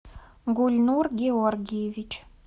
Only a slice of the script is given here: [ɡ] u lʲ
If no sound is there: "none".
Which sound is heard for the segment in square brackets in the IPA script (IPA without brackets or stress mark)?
ɡ